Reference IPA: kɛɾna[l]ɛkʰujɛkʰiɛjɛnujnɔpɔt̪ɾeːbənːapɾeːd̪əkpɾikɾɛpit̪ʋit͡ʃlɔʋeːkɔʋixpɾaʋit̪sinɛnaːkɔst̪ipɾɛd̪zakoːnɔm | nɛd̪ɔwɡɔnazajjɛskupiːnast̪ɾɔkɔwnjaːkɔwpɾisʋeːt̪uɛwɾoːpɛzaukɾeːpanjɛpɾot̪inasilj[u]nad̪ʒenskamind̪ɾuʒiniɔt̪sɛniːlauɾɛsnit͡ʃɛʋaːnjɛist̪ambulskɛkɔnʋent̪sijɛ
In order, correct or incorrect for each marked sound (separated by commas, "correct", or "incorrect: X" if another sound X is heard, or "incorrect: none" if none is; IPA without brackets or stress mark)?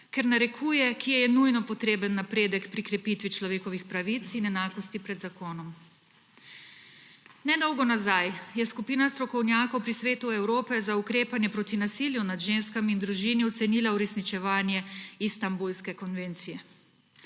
incorrect: ɾ, correct